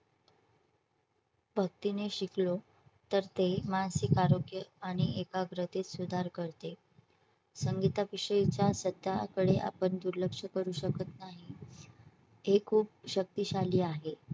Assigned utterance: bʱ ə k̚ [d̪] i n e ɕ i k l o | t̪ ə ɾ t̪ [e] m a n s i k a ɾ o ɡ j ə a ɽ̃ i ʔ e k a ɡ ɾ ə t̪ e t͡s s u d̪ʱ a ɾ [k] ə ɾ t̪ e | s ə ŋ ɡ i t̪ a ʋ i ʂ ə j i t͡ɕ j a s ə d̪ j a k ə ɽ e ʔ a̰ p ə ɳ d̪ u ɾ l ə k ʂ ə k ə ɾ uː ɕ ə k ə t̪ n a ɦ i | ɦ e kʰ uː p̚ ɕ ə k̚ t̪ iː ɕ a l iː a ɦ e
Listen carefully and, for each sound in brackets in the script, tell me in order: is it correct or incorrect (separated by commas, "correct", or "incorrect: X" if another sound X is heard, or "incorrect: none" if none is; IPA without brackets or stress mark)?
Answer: incorrect: t̪, correct, correct